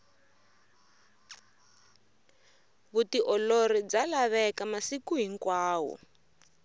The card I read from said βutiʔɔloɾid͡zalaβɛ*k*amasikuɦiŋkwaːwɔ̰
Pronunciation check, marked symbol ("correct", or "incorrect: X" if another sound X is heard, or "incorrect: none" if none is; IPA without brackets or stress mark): correct